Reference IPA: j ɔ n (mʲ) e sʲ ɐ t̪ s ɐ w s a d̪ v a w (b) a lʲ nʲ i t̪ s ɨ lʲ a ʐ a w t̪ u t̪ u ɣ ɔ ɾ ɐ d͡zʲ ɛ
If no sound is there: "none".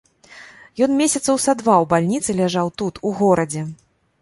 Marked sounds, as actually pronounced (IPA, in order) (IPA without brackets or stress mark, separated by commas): mʲ, b